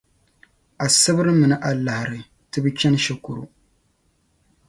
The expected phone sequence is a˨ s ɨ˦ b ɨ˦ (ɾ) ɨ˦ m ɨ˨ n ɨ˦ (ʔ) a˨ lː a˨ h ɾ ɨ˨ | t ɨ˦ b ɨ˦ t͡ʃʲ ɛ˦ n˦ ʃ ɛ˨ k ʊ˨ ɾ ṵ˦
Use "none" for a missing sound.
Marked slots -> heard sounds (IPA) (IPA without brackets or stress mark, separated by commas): ɾ, ʔ